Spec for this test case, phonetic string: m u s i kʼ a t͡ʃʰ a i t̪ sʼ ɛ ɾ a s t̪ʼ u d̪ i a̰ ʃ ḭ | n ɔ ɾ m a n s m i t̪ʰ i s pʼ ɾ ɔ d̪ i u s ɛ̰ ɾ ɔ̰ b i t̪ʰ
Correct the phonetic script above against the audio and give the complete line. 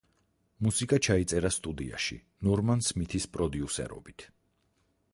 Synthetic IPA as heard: m u s i kʼ a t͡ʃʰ a i t̪ sʼ ɛ ɾ a s t̪ʼ u d̪ i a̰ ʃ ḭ | n ɔ ɾ m a n s m i t̪ʰ i s pʼ ɾ ɔ d̪ i u s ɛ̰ ɾ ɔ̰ b i t̪ʰ